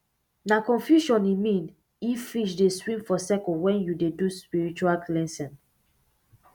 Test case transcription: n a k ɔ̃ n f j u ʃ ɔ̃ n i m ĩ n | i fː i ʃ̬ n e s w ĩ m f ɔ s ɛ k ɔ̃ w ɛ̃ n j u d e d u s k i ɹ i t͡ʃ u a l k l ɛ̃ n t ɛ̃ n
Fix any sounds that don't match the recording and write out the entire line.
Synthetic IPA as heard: n a k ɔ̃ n f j u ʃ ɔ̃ n i m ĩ n | i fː i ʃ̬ d e s w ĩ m f ɔ s ɛ k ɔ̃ w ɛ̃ n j u d e d u s p i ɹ i t͡ʃ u a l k l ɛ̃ n s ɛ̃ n